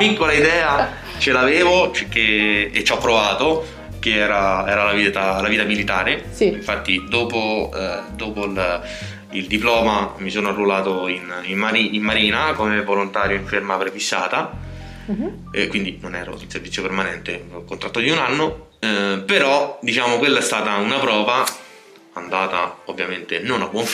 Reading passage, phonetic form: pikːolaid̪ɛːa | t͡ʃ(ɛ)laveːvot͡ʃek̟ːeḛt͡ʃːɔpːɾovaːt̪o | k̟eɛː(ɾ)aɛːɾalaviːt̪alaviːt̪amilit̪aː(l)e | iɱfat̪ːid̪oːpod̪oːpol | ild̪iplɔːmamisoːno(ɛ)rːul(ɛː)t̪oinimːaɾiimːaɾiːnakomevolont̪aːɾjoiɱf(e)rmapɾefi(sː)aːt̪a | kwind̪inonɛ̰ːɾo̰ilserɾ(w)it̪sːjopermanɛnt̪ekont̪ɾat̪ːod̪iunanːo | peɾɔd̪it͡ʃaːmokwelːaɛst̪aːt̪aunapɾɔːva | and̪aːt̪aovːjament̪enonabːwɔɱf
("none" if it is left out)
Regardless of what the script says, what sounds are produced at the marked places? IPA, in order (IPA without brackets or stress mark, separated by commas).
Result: e, ɾ, ɾ, a, aː, e, sː, v